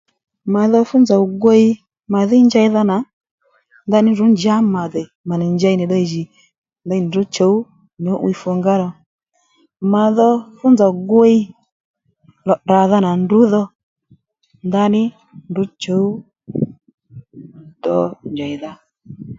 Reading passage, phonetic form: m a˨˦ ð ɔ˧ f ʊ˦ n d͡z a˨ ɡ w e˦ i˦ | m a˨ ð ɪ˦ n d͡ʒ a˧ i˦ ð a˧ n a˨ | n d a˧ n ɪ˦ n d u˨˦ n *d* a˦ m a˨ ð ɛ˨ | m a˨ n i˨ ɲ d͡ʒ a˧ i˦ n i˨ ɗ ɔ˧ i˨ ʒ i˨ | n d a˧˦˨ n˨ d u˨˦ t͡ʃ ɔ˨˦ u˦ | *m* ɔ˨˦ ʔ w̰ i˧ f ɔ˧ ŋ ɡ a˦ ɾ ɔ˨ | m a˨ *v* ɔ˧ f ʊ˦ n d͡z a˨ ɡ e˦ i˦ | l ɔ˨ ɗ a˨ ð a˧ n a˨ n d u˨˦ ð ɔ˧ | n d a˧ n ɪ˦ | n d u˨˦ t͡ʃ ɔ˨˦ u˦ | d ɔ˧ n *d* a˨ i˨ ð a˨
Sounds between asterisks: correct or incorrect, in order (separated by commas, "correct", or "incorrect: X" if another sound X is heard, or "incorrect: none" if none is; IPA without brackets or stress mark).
incorrect: d͡ʒ, incorrect: ɲ, incorrect: ð, incorrect: d͡ʒ